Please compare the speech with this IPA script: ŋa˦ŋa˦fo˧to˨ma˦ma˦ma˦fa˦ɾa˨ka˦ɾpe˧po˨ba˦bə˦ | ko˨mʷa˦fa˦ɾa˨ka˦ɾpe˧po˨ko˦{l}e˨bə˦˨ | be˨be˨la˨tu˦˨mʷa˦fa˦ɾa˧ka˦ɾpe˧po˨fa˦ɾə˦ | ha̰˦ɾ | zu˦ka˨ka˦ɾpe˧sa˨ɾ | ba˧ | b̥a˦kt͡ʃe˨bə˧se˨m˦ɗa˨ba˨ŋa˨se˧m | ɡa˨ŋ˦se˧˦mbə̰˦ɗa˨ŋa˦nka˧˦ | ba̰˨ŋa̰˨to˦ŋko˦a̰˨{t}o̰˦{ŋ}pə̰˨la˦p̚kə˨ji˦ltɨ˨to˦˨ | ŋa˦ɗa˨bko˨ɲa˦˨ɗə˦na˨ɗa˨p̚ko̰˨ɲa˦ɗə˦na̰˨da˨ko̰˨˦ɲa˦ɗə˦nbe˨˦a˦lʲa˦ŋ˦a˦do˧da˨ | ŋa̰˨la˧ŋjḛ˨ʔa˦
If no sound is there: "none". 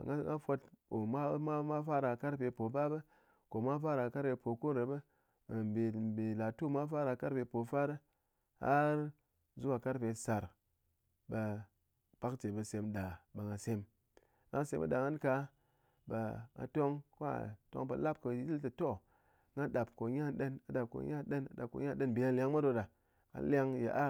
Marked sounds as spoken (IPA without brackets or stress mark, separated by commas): ɾ, t, ŋ